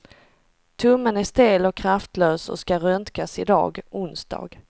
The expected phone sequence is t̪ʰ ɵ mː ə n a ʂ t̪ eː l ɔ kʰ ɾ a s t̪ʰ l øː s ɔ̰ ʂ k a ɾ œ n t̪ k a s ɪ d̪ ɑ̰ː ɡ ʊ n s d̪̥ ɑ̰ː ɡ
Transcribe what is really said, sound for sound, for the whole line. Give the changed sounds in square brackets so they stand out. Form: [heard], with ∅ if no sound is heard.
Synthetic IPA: t̪ʰ ɵ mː ə n [æ] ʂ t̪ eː l ɔ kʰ ɾ a [f] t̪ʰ l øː s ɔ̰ [s] k a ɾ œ n t̪ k a s ɪ d̪ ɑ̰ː ɡ ʊ n s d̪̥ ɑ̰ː ɡ